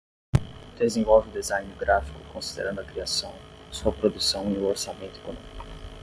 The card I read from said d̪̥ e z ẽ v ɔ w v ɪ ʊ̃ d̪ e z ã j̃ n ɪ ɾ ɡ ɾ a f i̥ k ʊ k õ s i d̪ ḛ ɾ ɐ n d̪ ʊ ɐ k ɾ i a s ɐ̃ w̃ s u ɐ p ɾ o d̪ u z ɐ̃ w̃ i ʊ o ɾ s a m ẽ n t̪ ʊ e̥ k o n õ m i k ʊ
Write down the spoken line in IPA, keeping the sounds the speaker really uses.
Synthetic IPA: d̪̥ e z ẽ v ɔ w v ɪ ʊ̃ d̪ e z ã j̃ n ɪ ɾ ɡ ɾ a f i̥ k ʊ k õ s i d̪ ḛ ɾ ɐ̃ n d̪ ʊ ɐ k ɾ i a s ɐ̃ w̃ s u ɐ p ɾ o d̪ u s ɐ̃ w̃ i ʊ o ɾ s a m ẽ n t̪ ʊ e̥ k o n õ m i k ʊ